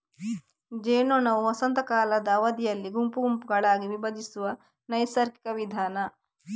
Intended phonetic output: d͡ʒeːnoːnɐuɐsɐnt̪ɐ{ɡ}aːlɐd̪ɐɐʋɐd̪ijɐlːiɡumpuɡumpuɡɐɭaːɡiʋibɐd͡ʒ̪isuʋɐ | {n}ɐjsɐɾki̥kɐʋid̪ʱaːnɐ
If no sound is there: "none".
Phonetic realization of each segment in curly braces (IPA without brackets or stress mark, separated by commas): k, n